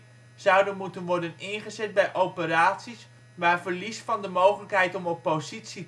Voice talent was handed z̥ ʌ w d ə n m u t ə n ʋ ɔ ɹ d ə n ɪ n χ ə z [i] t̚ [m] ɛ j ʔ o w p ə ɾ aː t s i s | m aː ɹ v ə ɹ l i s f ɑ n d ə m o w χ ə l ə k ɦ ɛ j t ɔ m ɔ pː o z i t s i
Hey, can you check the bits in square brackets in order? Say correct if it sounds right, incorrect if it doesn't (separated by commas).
incorrect, incorrect